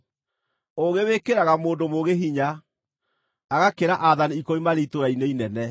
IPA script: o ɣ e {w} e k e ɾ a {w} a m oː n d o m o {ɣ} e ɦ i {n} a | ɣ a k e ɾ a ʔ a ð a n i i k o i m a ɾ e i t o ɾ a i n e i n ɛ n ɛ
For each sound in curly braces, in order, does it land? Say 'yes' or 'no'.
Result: yes, no, yes, no

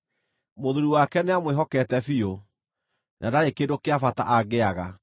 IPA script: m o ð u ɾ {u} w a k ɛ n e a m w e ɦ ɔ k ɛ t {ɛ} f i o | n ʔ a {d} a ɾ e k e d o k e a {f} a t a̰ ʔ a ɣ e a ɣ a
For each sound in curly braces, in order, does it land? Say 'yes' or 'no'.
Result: yes, yes, yes, yes

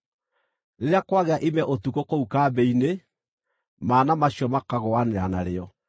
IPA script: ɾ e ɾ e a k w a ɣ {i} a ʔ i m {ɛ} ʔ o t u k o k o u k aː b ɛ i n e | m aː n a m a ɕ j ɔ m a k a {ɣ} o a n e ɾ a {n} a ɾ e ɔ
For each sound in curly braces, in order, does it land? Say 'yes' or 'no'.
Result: no, yes, yes, yes

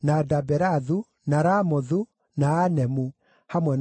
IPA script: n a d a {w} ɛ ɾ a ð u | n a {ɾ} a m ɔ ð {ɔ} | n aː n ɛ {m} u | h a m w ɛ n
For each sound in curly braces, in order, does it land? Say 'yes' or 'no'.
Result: no, yes, no, yes

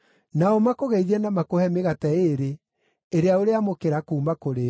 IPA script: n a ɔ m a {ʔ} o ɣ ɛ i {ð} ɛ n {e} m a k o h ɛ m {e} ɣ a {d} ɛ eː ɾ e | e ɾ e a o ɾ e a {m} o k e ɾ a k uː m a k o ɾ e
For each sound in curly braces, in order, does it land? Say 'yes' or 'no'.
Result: no, yes, no, yes, no, yes

